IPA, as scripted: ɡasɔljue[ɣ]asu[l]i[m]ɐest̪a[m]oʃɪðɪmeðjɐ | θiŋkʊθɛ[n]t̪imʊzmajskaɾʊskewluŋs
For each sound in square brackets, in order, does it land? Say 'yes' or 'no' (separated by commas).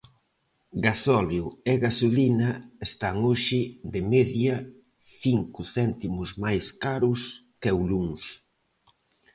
yes, yes, no, no, yes